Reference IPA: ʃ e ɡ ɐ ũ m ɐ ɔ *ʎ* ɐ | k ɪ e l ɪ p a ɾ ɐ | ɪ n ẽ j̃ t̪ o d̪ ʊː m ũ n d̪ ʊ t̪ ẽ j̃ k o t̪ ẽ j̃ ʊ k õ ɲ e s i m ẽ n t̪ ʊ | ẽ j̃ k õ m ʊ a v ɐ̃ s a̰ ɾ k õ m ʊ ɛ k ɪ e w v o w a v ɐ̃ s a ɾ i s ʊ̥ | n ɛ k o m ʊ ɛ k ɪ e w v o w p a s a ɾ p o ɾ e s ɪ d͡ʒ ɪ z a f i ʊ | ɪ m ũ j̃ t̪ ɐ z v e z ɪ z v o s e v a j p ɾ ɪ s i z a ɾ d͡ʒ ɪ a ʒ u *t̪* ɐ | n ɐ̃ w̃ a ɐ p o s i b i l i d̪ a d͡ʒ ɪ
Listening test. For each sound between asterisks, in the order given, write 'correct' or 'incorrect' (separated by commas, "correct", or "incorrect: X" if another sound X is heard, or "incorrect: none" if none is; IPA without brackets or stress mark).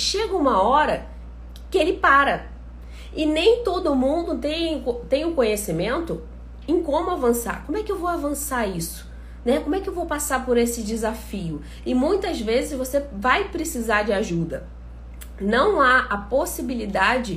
incorrect: ɾ, incorrect: d̪